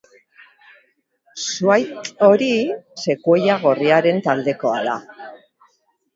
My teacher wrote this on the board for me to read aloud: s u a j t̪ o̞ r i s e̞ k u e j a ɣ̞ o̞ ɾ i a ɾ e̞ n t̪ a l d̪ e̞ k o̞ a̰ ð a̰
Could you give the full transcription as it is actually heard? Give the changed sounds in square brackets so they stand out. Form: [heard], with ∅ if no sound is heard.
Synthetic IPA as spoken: s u a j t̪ o̞ [ɾ] i s e̞ k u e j a ɣ̞ o̞ [r] i a ɾ e̞ n t̪ a l d̪ e̞ k o̞ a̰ ð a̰